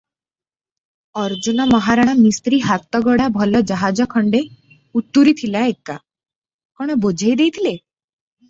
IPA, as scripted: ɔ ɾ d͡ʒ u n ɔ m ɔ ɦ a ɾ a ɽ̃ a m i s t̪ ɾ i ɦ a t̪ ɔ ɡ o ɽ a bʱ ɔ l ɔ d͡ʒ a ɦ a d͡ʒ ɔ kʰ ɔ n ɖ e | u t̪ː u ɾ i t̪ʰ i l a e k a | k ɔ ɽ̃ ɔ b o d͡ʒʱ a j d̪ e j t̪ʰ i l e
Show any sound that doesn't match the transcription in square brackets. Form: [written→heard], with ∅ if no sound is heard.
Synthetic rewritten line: ɔ ɾ d͡ʒ u n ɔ m ɔ ɦ a ɾ a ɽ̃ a m i s t̪ ɾ i ɦ a t̪ ɔ ɡ [o→ɔ] ɽ a bʱ ɔ l ɔ d͡ʒ a ɦ a d͡ʒ ɔ kʰ ɔ [n→ɳ] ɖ e | u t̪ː u ɾ i t̪ʰ i l a e k a | k ɔ ɽ̃ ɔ b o d͡ʒʱ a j d̪ e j t̪ʰ i l e